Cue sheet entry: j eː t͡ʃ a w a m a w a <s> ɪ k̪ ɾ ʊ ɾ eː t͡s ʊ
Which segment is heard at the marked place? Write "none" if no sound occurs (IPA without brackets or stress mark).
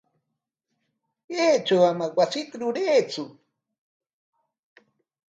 s